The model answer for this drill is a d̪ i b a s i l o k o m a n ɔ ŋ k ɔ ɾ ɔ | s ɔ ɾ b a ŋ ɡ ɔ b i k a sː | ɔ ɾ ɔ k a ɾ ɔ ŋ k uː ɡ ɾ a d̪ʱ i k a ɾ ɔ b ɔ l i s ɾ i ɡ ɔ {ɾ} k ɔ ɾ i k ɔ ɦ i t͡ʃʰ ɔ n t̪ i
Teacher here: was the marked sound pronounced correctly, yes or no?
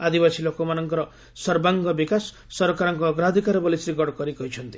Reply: no